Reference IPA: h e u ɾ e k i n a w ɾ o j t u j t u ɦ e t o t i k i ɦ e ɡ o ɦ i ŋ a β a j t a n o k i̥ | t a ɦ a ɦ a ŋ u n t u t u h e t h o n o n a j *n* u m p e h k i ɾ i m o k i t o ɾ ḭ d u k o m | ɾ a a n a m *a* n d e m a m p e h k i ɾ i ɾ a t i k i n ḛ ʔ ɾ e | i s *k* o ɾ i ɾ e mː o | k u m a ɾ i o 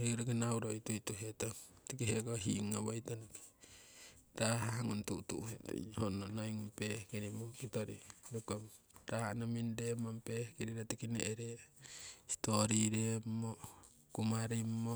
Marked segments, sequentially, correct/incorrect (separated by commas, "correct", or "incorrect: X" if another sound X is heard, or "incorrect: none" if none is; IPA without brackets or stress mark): incorrect: ŋ, incorrect: i, incorrect: t